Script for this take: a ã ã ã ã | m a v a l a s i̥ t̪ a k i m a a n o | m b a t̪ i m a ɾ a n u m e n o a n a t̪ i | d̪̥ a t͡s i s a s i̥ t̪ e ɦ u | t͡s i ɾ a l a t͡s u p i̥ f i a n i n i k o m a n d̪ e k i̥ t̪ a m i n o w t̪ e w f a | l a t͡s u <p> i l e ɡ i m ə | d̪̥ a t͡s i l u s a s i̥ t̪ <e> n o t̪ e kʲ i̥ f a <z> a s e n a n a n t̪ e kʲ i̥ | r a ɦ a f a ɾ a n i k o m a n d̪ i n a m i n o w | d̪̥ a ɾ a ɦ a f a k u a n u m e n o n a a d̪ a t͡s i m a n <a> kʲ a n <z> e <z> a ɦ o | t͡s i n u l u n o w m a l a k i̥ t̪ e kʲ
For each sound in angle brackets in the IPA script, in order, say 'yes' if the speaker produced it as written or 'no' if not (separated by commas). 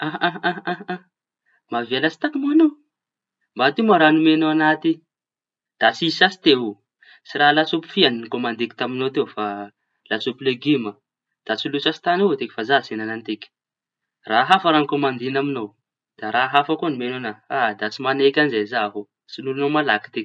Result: yes, no, yes, no, yes, yes